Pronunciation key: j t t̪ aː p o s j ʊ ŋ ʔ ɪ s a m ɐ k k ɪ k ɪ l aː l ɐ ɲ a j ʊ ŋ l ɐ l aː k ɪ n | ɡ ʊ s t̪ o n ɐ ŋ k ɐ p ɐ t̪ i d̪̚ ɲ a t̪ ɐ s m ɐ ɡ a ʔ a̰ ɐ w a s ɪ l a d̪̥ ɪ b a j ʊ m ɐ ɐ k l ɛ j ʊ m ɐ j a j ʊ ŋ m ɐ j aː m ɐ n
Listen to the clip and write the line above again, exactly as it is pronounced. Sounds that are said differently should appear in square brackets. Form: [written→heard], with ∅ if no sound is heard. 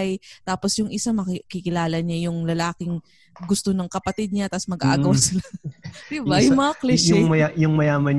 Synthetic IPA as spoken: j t t̪ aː p o s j ʊ ŋ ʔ ɪ s a m ɐ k k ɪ k ɪ l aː l ɐ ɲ a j ʊ ŋ l ɐ l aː k ɪ [n→ŋ] | ɡ ʊ s t̪ o n ɐ ŋ k ɐ p ɐ t̪ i d̪̚ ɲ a t̪ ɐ s m ɐ ɡ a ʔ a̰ ɐ w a s ɪ l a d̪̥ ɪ b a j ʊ m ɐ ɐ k l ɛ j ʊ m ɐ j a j ʊ ŋ m ɐ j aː m ɐ n